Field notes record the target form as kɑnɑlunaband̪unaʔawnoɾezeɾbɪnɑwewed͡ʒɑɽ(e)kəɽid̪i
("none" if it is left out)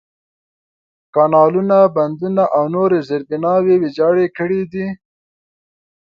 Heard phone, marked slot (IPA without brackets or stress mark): e